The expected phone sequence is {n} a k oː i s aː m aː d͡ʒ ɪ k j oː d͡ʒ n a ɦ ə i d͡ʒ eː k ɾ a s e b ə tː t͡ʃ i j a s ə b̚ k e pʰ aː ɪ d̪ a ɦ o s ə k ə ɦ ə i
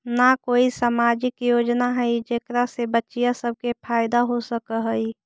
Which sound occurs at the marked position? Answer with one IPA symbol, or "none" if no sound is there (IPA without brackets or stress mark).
n